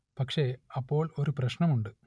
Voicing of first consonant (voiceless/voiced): voiceless